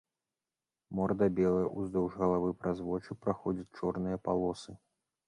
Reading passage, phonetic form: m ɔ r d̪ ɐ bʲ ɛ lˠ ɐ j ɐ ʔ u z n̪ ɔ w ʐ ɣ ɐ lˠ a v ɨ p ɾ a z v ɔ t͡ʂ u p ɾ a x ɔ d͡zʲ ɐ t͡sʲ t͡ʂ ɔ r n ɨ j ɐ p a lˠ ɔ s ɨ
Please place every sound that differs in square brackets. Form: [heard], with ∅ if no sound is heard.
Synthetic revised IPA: m ɔ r d̪ ɐ bʲ ɛ lˠ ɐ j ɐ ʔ u z [d̪] ɔ w ʐ ɣ ɐ lˠ a v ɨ p ɾ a z v ɔ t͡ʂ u p ɾ a x ɔ d͡zʲ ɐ t͡sʲ t͡ʂ ɔ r n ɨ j ɐ p a lˠ ɔ s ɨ